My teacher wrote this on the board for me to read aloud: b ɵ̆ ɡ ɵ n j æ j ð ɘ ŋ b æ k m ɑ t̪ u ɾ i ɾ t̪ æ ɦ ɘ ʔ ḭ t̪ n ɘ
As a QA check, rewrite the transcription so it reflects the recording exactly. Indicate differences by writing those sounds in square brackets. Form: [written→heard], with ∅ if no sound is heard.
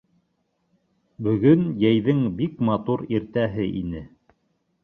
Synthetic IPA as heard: b ɵ̆ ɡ ɵ n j æ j ð ɘ ŋ b [æ→i] k m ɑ t̪ u ɾ i ɾ t̪ æ ɦ ɘ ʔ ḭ [t̪→∅] n ɘ